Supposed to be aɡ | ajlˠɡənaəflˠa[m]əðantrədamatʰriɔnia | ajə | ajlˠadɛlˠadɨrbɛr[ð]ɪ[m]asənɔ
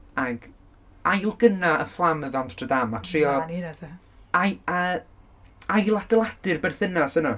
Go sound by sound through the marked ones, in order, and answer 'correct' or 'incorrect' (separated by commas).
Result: correct, incorrect, incorrect